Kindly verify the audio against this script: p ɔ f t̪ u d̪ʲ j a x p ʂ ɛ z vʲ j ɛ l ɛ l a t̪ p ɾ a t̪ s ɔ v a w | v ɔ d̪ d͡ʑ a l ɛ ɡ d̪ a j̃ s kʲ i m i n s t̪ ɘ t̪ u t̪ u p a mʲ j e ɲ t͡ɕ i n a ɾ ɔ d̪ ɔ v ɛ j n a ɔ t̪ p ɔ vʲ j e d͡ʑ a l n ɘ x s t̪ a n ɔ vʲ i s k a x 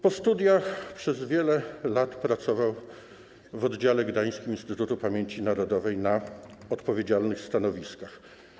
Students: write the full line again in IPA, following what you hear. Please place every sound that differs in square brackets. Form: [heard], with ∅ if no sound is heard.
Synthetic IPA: p ɔ [s] t̪ u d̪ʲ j a x p ʂ ɛ z vʲ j ɛ l ɛ l a t̪ p ɾ a t̪ s ɔ v a w | v ɔ d̪ d͡ʑ a l ɛ ɡ d̪ a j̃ s kʲ i m i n s t̪ ɘ t̪ u t̪ u p a mʲ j e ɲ t͡ɕ i n a ɾ ɔ d̪ ɔ v ɛ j n a ɔ t̪ p ɔ vʲ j e d͡ʑ a l n ɘ x s t̪ a n ɔ vʲ i s k a x